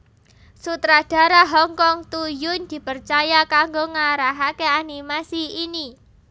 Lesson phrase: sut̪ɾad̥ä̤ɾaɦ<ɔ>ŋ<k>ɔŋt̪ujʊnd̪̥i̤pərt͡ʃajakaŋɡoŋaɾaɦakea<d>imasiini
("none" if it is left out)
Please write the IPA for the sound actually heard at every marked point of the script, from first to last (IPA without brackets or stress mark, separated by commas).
ɔ, k, n